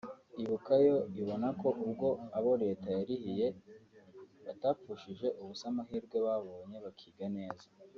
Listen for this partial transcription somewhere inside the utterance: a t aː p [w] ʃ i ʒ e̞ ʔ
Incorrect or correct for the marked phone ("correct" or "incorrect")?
incorrect